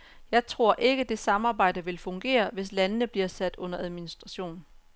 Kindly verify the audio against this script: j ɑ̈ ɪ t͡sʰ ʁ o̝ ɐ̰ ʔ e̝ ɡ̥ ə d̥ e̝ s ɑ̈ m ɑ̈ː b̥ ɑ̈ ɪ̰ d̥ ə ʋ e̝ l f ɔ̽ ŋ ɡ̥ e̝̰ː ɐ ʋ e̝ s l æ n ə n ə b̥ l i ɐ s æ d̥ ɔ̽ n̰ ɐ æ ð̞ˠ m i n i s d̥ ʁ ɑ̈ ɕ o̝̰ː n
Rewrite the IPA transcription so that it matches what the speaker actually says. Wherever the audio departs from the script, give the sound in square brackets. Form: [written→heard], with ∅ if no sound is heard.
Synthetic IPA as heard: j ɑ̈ ɪ t͡sʰ ʁ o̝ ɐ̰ ʔ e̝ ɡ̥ ə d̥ e̝ s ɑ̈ m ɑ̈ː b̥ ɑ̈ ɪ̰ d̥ ə ʋ e̝ l f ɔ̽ ŋ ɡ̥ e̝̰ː ɐ ʋ e̝ s l æ n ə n ə b̥ l i ɐ s æ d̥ ɔ̽ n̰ ɐ æ ð̞ˠ m i n i s d̥ ʁ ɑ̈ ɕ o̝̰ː n